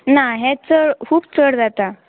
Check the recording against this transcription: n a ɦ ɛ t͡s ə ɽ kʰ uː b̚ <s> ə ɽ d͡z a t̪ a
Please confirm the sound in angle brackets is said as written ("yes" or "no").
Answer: no